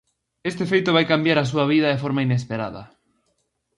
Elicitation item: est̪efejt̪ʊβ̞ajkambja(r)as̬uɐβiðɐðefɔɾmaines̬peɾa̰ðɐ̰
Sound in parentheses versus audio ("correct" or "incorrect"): incorrect